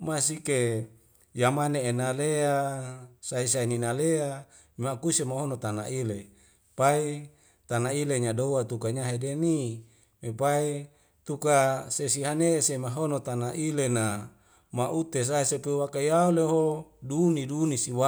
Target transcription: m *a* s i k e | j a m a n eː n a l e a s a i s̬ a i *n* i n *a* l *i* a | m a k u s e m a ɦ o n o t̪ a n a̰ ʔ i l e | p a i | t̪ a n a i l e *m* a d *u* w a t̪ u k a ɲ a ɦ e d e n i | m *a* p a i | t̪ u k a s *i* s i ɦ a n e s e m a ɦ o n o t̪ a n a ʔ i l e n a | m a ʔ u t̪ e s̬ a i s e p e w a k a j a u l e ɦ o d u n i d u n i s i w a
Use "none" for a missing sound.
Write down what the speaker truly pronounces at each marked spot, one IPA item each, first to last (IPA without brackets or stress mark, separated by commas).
a, n, a, e, ɲ, o, e, e